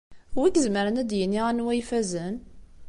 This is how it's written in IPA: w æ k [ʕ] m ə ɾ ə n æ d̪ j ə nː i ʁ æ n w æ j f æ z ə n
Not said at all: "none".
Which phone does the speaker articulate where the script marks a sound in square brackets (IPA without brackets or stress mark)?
z